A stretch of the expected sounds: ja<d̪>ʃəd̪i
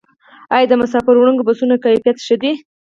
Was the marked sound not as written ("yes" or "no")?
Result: yes